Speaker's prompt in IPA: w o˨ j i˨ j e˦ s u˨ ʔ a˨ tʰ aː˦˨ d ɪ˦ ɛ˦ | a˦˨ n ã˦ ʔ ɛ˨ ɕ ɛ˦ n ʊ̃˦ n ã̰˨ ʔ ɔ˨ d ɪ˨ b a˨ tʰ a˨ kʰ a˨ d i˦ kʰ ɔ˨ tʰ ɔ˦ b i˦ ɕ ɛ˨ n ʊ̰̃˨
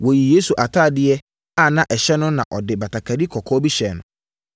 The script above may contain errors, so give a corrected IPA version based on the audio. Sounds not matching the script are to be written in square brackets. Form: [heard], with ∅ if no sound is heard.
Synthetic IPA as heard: w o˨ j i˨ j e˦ s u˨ ʔ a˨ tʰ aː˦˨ d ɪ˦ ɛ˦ | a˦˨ n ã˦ ʔ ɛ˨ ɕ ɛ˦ n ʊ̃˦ n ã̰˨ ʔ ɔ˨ d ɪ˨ b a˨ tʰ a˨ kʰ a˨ d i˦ kʰ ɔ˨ [kʰ] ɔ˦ b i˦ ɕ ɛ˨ n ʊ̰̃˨